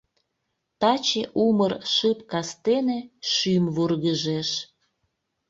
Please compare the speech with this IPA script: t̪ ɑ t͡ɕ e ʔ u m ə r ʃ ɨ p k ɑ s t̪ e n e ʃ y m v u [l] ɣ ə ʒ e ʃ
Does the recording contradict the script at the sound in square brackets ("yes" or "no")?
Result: yes